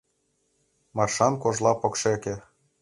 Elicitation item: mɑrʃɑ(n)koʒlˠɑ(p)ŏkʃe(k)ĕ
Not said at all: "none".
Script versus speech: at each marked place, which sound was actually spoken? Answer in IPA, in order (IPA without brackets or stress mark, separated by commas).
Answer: n, p, k